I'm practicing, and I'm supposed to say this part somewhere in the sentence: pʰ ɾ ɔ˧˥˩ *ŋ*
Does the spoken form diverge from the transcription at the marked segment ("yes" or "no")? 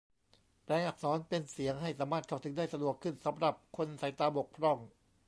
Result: no